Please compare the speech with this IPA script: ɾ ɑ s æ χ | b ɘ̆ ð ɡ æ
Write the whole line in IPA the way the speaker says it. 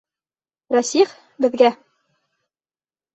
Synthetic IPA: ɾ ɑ s i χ | b ɘ̆ ð ɡ æ

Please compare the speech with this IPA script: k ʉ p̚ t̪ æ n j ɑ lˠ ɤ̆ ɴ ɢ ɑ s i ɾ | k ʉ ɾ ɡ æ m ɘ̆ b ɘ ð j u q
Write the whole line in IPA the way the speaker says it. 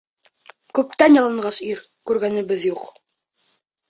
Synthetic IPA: k ʉ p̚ t̪ æ n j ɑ lˠ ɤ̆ ɴ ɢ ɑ s i ɾ | k ʉ ɾ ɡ æ n ɘ̆ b ɘ ð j u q

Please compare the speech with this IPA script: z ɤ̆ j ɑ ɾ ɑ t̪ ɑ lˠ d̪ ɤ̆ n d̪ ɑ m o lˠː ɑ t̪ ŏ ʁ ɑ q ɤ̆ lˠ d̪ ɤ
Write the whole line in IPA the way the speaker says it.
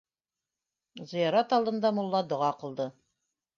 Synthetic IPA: z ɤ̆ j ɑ ɾ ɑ t̪ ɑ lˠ d̪ ɤ̆ n d̪ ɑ m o lˠː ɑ d̪ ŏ ʁ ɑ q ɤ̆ lˠ d̪ ɤ

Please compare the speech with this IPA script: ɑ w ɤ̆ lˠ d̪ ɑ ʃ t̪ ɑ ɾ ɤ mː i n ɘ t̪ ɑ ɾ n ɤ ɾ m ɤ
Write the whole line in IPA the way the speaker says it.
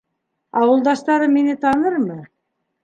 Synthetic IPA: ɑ w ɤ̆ lˠ d̪ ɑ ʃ t̪ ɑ ɾ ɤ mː i n ɘ t̪ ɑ n ɤ ɾ m ɤ

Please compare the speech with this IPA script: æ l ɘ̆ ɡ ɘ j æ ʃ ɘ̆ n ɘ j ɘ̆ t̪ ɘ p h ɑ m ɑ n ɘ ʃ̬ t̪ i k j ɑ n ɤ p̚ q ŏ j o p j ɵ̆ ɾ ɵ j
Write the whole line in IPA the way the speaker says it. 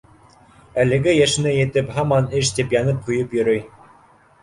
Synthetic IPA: æ l ɘ̆ ɡ ɘ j æ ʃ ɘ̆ n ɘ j ɘ̆ t̪ ɘ p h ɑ m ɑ n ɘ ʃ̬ t̪ i p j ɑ n ɤ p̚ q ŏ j ɤ p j ɵ̆ ɾ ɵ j

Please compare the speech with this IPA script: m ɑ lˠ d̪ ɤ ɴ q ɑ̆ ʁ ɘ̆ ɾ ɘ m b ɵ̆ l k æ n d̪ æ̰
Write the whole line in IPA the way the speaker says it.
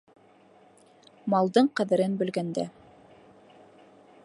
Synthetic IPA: m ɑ lˠ d̪ ɤ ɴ q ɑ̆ ð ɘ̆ ɾ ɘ n b ɵ̆ l ɡ æ n d̪ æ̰

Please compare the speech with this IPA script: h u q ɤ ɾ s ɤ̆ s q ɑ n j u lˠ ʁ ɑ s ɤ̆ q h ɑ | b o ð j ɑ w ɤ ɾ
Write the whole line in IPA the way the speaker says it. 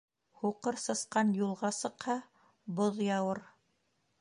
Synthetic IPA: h u q ɤ ɾ s ɤ̆ s q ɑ n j u lˠ ʁ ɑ s ɤ̆ q h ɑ | b o ð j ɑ w ɤ ɾ

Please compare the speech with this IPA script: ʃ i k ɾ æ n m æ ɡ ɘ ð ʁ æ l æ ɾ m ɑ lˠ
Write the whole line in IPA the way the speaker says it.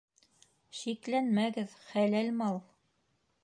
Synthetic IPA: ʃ i k l æ n m æ ɡ ɘ ð χ æ l æ l m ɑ lˠ

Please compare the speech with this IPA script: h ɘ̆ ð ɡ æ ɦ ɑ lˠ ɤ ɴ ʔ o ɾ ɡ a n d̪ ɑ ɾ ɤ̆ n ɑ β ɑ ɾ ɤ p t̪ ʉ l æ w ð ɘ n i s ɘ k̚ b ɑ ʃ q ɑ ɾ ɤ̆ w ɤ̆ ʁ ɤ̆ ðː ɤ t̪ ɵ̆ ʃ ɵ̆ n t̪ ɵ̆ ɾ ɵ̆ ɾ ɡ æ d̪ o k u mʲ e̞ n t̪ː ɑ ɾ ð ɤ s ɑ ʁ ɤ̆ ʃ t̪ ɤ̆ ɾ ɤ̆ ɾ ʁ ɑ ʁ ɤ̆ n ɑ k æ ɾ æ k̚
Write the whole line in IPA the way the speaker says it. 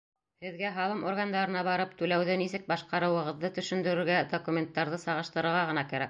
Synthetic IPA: h ɘ̆ ð ɡ æ ɦ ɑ lˠ ɤ m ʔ o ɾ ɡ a n d̪ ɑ ɾ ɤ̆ n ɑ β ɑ ɾ ɤ p t̪ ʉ l æ w ð ɘ n i s ɘ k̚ b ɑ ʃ q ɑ ɾ ɤ̆ w ɤ̆ ʁ ɤ̆ ðː ɤ t̪ ɵ̆ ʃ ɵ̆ n d̪ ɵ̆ ɾ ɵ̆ ɾ ɡ æ d̪ o k u mʲ e̞ n t̪ː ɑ ɾ ð ɤ s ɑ ʁ ɤ̆ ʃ t̪ ɤ̆ ɾ ɤ̆ ɾ ʁ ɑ ʁ ɤ̆ n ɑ k æ ɾ æ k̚

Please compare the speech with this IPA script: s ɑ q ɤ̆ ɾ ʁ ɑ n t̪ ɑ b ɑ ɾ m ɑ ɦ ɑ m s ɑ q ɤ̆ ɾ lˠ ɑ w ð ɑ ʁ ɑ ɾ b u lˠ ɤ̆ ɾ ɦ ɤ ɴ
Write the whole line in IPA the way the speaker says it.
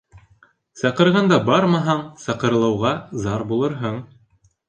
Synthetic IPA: s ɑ q ɤ̆ ɾ ʁ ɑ n d̪ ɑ b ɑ ɾ m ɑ ɦ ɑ ɴ s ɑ q ɤ̆ ɾ lˠ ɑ w ʁ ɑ z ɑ ɾ b u lˠ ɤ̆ ɾ ɦ ɤ ɴ

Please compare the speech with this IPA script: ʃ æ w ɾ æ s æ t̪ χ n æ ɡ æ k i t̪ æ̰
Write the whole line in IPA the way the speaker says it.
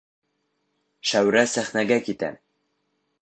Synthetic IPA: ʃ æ w ɾ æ s æ χ n æ ɡ æ k i t̪ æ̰

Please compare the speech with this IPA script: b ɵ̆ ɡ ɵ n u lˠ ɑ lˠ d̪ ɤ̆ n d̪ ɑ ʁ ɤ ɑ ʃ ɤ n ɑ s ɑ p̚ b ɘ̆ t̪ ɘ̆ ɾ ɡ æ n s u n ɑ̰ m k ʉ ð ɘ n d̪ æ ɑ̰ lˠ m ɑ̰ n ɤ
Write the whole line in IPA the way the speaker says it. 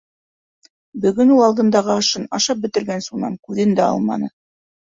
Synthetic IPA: b ɵ̆ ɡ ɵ n u lˠ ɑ lˠ d̪ ɤ̆ n d̪ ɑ ʁ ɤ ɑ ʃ ɤ n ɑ ʃ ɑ p̚ b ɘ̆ t̪ ɘ̆ ɾ ɡ æ n s u n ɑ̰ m k ʉ ð ɘ n d̪ æ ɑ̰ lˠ m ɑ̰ n ɤ

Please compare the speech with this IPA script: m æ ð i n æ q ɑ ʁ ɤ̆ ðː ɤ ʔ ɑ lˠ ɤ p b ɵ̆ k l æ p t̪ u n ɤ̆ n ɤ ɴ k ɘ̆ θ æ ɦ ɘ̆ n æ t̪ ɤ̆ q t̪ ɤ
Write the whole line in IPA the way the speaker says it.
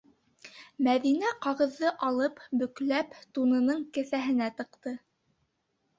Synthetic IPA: m æ ð i n æ q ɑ ʁ ɤ̆ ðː ɤ ʔ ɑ lˠ ɤ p b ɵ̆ k l æ p t̪ u n ɤ̆ n ɤ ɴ k ɘ̆ θ æ ɦ ɘ̆ n æ t̪ ɤ̆ q t̪ ɤ

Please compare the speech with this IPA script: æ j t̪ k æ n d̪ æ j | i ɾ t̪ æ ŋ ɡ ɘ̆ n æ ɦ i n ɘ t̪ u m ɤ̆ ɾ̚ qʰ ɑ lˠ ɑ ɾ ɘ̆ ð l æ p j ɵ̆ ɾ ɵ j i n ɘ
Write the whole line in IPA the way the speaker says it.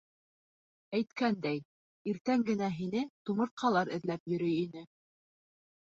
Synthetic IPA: æ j t̪ k æ n d̪ æ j | i ɾ t̪ æ ŋ ɡ ɘ̆ n æ ɦ i n ɘ t̪ u m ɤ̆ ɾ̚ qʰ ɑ lˠ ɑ ɾ ɘ̆ ð l æ p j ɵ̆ ɾ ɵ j i n ɘ

